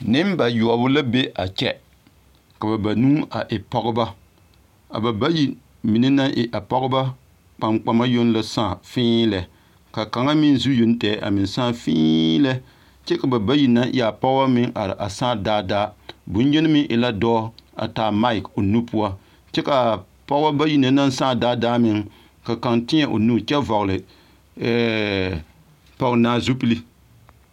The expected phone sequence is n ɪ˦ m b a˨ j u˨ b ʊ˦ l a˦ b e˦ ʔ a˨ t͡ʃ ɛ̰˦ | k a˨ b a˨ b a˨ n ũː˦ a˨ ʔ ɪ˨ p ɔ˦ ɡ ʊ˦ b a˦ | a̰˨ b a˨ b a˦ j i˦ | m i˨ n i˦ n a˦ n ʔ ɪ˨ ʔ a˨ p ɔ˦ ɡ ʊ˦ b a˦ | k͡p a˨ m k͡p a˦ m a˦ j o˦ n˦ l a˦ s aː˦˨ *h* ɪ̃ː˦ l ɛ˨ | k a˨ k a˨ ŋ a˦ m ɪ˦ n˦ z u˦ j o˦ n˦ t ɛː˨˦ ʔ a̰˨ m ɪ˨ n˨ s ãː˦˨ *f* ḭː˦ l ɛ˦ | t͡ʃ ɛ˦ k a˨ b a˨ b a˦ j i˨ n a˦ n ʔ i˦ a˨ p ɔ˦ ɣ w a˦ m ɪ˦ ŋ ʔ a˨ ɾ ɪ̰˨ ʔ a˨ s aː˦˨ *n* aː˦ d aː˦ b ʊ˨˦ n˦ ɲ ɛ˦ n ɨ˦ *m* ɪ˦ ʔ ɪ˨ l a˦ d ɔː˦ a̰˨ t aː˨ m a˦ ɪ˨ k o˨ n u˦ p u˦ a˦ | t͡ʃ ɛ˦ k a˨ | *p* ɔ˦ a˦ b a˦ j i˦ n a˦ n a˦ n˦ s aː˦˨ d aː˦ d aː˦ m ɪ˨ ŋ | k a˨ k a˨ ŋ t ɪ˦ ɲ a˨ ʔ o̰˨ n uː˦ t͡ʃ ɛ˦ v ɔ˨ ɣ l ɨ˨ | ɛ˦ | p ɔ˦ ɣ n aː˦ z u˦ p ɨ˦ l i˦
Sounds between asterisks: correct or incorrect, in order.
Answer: incorrect, correct, incorrect, correct, correct

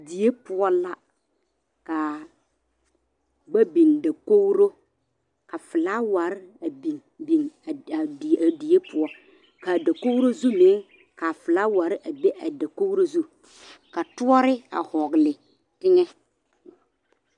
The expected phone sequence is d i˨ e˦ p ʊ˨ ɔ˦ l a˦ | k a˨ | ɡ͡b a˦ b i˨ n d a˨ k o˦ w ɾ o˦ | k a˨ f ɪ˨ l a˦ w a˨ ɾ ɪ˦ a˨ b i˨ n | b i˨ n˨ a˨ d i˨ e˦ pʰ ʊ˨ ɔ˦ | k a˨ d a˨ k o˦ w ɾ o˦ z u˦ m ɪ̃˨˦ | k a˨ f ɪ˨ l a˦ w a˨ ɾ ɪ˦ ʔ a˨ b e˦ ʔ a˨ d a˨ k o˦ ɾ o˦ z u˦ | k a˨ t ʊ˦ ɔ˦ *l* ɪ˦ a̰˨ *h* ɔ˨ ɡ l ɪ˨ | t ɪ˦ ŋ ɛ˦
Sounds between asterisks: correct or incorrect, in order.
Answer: incorrect, correct

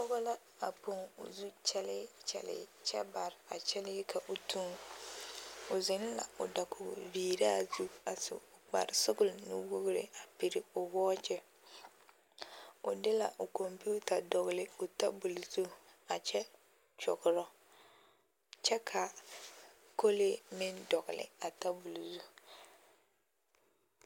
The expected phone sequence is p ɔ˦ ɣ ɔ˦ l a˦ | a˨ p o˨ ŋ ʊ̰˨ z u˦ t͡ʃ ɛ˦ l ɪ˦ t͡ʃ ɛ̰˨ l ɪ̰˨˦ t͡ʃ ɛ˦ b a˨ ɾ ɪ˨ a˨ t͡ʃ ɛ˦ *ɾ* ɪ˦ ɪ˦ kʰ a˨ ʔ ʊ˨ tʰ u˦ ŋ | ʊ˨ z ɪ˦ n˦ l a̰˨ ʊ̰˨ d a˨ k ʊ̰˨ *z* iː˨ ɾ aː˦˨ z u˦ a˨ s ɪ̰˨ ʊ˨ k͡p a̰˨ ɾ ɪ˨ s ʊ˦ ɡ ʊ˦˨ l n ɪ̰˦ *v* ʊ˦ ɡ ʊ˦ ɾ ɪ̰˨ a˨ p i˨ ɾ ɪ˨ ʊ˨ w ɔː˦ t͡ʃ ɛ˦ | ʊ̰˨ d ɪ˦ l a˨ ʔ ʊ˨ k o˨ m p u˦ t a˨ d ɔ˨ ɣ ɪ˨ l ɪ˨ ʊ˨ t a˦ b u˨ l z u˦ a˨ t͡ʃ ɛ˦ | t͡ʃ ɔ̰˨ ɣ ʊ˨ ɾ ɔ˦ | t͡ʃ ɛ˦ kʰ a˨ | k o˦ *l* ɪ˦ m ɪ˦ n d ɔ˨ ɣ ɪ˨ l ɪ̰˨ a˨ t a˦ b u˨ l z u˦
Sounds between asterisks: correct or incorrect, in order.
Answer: incorrect, incorrect, incorrect, correct

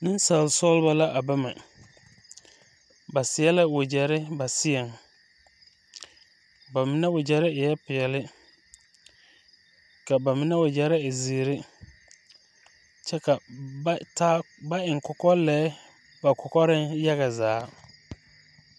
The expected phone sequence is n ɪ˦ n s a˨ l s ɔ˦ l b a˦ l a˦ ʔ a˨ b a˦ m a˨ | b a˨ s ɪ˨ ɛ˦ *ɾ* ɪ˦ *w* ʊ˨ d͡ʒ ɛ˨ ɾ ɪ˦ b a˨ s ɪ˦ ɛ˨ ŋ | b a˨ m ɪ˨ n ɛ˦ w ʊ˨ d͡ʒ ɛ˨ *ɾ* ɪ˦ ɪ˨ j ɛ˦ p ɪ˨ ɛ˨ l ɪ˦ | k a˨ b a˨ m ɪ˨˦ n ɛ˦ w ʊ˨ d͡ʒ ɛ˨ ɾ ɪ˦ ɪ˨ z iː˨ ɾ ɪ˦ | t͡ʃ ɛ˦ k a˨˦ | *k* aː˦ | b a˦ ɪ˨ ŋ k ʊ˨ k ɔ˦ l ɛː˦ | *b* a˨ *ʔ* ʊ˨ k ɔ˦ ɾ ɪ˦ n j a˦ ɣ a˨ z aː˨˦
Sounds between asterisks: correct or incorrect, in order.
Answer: incorrect, correct, correct, incorrect, correct, incorrect

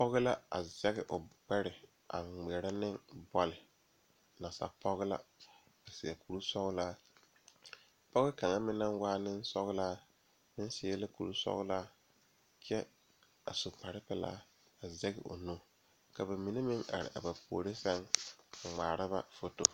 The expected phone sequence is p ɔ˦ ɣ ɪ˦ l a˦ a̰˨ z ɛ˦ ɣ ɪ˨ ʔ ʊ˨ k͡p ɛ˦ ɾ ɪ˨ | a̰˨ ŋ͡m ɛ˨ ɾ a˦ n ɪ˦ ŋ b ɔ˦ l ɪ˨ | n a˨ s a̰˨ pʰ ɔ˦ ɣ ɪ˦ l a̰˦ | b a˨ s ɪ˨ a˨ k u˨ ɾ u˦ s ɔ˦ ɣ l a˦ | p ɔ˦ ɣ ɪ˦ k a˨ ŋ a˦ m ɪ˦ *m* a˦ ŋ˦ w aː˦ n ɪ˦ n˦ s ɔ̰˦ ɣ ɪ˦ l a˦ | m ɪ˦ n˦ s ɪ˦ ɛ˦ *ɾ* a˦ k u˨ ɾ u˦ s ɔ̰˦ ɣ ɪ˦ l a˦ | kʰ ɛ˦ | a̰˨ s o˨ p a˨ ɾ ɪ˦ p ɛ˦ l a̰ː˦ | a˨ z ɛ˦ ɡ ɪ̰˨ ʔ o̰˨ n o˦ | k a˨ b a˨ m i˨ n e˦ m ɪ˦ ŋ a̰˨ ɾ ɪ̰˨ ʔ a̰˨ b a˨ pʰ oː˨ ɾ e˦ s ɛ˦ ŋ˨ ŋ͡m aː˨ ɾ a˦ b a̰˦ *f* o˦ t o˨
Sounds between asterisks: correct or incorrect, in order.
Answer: incorrect, incorrect, correct

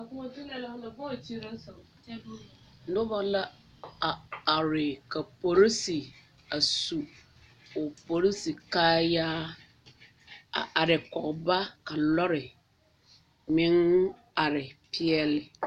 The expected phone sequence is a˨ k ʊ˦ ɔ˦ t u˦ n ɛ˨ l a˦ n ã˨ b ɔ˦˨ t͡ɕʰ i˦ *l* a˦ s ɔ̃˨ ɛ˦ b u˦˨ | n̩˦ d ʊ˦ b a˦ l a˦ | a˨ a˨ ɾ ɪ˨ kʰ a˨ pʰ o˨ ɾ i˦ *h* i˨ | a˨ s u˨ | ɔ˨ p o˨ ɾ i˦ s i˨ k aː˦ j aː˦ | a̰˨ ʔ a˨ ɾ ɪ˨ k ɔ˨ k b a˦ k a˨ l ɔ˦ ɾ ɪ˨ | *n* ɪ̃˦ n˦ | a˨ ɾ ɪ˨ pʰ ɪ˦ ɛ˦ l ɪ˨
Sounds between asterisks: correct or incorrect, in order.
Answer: incorrect, incorrect, incorrect

